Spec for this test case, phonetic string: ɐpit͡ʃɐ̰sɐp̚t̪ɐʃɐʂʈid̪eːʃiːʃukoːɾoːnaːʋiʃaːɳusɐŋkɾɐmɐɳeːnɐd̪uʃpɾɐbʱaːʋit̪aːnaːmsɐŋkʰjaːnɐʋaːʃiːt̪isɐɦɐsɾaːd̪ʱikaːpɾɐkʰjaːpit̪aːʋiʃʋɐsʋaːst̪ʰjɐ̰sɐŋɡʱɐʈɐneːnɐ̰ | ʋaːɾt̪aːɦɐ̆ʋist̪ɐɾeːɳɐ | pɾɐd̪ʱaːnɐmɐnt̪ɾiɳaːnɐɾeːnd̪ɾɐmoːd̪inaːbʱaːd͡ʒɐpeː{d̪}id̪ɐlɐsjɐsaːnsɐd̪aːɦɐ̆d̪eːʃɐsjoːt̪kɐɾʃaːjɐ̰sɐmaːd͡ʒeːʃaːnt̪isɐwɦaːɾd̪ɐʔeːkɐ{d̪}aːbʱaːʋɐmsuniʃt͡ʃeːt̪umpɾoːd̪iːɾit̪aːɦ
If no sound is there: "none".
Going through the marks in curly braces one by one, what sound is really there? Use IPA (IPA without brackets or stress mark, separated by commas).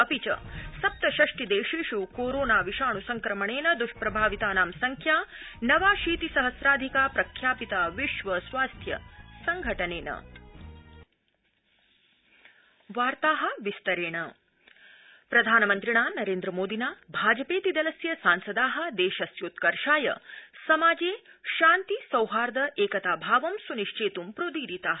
t̪, t̪